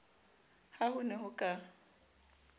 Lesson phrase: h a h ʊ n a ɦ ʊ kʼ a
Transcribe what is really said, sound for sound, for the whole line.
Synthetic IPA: h a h ʊ n ɛ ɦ ʊ kʼ a